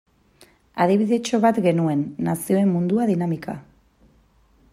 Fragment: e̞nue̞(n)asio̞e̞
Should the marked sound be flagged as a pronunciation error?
yes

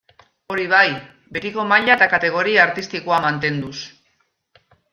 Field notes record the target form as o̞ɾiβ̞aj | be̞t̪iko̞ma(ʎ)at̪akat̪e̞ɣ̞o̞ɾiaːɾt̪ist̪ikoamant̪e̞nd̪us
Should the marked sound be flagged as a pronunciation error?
no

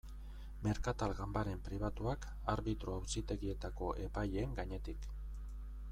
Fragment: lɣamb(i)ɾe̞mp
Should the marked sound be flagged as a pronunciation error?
yes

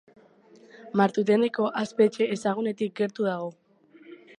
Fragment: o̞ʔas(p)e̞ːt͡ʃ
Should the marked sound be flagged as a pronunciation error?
no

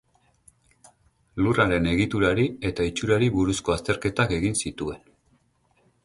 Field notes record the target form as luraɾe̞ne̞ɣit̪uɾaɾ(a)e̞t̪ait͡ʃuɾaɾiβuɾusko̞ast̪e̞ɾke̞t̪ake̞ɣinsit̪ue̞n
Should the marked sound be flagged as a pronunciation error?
yes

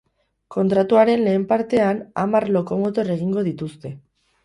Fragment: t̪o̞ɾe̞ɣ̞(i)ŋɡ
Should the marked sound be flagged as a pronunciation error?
no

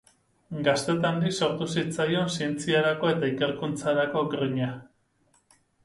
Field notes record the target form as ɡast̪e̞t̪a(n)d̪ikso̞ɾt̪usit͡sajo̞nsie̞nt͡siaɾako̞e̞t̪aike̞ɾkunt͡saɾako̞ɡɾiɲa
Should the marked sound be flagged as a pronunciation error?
no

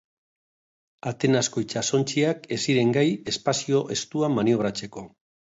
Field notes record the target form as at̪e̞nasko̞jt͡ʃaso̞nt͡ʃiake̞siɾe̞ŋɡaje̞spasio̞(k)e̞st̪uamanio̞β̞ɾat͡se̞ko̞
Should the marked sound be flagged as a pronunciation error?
yes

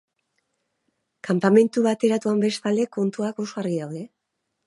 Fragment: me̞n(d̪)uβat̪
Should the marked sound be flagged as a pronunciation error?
yes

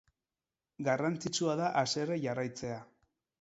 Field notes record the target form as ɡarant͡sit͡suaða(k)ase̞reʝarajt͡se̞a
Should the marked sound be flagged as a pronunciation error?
yes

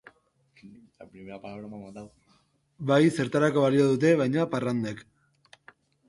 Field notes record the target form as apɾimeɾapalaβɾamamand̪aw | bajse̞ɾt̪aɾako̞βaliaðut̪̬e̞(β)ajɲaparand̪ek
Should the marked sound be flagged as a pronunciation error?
no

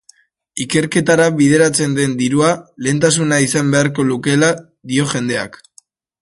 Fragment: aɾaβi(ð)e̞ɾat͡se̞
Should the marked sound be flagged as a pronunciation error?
no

